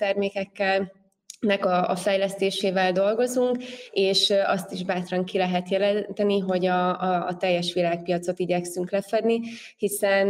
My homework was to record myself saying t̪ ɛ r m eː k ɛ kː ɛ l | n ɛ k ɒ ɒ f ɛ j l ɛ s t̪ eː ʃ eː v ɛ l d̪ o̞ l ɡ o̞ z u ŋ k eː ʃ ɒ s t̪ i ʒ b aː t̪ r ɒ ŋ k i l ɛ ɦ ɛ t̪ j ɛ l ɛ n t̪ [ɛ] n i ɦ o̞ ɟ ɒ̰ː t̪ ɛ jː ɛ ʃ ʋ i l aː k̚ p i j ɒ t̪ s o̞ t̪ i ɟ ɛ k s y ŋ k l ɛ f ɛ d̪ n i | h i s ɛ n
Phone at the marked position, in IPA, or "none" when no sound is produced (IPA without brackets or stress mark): ɛ